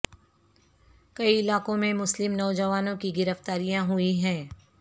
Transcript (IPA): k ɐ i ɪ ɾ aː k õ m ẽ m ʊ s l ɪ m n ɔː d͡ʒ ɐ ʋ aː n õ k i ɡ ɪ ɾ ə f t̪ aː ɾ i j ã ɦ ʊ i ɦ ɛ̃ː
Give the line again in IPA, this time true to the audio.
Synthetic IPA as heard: k ɐ i ɪ l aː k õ m ẽ m ʊ s l ɪ m n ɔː d͡ʒ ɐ ʋ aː n õ k i ɡ ɪ ɾ ə f t̪ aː ɾ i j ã ɦ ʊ i ɦ ɛ̃ː